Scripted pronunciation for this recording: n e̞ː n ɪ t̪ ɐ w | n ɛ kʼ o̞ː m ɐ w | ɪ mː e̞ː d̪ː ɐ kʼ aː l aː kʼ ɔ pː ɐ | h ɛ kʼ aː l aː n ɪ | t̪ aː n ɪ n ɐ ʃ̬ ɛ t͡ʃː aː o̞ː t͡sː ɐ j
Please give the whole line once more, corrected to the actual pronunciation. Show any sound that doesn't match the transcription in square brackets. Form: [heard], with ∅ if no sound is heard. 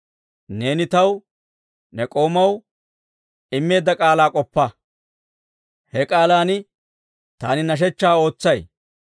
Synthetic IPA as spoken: n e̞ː n ɪ t̪ ɐ w | n ɛ kʼ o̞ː m ɐ w | ɪ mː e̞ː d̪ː ɐ kʼ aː l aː kʼ ɔ pː ɐ | h ɛ kʼ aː l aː n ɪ | t̪ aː n ɪ n ɐ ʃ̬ ɛ t͡ʃː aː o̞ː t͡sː ɐ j